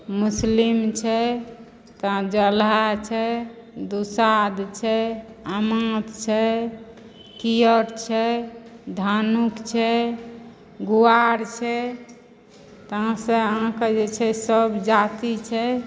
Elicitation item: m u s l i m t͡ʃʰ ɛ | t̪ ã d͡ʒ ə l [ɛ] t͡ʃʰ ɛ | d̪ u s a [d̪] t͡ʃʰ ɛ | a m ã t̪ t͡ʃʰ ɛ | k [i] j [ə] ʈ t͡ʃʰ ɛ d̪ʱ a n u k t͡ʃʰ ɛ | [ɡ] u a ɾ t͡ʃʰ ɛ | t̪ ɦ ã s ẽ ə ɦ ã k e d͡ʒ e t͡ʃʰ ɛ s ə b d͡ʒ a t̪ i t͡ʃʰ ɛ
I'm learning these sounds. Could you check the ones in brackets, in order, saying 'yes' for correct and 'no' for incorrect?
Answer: no, yes, yes, yes, yes

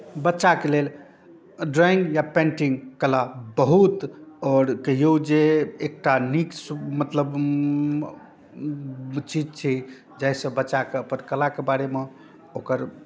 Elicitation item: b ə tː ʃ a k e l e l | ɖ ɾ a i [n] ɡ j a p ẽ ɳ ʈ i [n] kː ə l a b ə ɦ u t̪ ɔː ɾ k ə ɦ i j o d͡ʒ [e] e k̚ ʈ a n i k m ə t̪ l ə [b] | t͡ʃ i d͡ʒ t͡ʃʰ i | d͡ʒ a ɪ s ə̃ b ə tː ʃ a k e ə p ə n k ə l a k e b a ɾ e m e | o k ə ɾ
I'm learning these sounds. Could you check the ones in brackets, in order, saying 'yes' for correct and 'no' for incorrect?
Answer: no, no, yes, yes

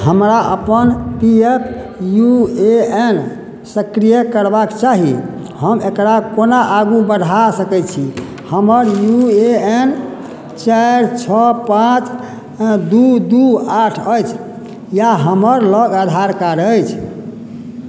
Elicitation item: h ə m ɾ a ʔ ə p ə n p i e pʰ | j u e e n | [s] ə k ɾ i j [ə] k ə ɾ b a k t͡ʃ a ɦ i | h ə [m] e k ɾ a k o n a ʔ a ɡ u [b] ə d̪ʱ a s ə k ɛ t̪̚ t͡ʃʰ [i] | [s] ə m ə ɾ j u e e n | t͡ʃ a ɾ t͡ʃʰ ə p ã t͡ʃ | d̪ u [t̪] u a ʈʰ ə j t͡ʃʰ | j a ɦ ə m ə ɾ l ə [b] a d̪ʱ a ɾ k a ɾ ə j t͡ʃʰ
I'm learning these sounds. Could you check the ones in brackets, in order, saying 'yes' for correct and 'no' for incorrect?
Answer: yes, yes, yes, yes, yes, no, no, no

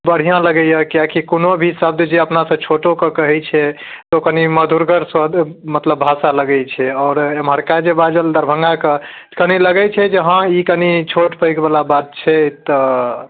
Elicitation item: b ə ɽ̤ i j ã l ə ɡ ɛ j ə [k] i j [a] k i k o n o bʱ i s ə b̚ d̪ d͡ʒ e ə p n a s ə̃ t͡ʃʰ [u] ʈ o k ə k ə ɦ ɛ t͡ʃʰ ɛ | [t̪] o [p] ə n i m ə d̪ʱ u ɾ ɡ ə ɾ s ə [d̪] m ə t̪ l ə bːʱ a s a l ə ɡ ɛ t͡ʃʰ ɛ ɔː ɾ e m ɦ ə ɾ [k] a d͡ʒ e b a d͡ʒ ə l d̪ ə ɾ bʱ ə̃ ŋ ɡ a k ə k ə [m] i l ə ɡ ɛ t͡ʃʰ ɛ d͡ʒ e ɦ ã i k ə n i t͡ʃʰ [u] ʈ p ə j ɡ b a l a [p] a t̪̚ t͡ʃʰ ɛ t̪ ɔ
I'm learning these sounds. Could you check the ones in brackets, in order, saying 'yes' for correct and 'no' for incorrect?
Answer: yes, yes, no, yes, no, yes, yes, no, no, no

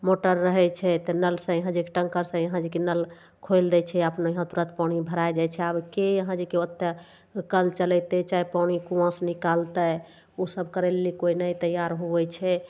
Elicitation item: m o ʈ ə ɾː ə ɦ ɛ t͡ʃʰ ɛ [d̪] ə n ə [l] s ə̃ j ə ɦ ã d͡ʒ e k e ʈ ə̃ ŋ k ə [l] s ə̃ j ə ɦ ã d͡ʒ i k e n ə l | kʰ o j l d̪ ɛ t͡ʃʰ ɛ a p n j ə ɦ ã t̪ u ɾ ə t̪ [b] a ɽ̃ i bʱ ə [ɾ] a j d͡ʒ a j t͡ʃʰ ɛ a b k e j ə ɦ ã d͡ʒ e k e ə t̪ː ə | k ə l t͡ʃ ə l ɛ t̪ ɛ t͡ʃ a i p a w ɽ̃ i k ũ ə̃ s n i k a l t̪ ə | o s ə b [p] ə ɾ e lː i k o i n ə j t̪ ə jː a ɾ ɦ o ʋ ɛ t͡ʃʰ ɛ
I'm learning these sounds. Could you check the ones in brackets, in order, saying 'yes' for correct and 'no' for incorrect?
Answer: no, yes, no, no, yes, no

